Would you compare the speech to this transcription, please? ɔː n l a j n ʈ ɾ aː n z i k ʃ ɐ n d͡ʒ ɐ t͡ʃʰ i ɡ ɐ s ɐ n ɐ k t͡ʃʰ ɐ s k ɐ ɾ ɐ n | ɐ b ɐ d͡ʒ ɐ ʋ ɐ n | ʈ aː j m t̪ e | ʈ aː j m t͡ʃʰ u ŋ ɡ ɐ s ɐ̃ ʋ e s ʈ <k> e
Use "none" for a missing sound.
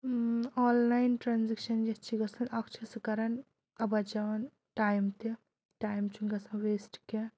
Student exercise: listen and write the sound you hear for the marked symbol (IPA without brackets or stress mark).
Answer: k